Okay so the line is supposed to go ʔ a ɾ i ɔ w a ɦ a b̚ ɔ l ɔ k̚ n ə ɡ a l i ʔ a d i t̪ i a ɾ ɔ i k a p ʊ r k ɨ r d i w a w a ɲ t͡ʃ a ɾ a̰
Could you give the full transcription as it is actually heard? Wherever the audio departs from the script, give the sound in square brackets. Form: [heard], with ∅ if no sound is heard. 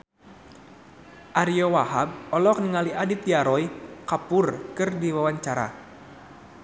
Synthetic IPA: ʔ a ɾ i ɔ w a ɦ a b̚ ɔ l ɔ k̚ n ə [ŋ] a l i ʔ a d i t̪ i a ɾ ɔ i k a p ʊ r k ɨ r d i w a w a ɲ t͡ʃ a ɾ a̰